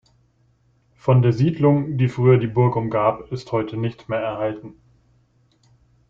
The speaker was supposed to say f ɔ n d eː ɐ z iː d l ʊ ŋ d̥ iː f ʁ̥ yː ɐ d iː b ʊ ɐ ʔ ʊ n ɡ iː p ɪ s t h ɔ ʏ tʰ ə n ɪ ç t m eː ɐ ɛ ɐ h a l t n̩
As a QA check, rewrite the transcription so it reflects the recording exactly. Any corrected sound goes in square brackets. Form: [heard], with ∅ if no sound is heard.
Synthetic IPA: f ɔ n d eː ɐ z iː d l ʊ ŋ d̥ iː f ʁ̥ yː ɐ d iː b ʊ ɐ [k] ʊ [m] ɡ [aː] p ɪ s t h ɔ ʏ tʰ ə n ɪ ç t m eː ɐ ɛ ɐ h a l t n̩